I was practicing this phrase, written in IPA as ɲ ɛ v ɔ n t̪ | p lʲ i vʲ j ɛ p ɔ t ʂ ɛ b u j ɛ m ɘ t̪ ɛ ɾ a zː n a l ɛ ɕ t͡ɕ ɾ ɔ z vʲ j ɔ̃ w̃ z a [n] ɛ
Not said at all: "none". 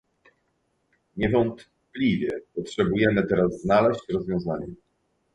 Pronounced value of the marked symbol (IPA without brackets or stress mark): ɲ